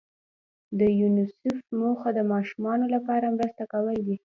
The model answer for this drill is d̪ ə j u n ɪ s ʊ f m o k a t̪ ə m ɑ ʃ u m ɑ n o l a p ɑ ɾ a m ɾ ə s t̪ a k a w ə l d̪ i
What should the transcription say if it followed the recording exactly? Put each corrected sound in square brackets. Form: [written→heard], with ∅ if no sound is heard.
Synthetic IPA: d̪ ə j u n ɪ s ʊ f m o [k→x] a [t̪→d̪] ə m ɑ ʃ u m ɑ n o l a p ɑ ɾ a m ɾ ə s t̪ a k a w ə l d̪ i

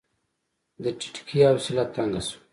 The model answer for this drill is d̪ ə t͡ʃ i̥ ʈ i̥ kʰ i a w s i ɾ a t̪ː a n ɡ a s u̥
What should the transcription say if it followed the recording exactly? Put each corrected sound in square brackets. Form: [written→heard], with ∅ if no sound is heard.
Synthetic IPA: d̪ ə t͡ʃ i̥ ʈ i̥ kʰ i a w s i [ɾ→l] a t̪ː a [n→ŋ] ɡ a s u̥

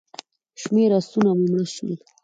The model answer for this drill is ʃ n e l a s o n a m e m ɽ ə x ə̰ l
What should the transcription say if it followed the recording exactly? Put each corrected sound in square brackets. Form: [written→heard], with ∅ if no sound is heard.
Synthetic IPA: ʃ [n→m] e [l→ɾ] a s [o→u] n a m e m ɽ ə [x→ʃ] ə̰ l

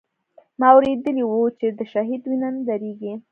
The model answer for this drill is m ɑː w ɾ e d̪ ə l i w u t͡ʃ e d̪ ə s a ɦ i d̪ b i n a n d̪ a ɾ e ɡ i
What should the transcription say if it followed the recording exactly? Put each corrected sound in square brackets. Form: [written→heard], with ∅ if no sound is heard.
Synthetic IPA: m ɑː w ɾ e d̪ ə l i w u t͡ʃ e d̪ ə [s→ʃ] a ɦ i d̪ [b→w] i n a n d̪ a ɾ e ɡ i

